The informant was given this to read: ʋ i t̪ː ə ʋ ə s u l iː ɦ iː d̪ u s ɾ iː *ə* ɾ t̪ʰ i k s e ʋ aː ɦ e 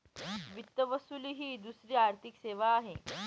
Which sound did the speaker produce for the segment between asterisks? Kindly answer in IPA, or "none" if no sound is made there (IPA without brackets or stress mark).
a